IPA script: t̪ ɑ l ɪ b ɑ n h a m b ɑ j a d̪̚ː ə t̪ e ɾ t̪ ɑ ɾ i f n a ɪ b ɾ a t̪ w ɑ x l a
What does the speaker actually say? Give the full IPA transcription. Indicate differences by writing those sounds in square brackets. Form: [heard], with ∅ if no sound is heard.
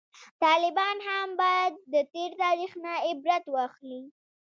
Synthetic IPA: t̪ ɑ l ɪ b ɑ n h a m b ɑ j a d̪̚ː ə t̪ e ɾ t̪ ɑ ɾ i [x] n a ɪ b ɾ a t̪ w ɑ x l [i]